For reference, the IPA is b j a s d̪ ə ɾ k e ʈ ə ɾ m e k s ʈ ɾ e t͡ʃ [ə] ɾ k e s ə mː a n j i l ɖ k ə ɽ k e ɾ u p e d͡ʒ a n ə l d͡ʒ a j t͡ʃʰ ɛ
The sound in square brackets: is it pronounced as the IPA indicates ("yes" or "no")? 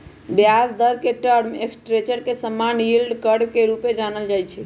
yes